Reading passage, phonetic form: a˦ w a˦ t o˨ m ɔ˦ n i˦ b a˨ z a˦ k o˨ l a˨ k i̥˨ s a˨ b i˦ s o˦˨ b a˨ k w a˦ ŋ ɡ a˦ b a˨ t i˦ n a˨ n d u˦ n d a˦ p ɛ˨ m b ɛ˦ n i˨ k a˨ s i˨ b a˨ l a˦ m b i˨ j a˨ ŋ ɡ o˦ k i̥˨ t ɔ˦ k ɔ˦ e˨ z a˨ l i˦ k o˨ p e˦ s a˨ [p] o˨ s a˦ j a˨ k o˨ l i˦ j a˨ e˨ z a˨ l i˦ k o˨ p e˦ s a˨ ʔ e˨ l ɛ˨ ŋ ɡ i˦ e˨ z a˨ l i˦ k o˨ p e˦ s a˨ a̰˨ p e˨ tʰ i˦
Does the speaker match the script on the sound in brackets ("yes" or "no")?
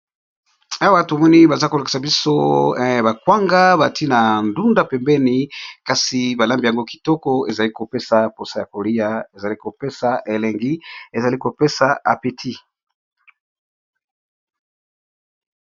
yes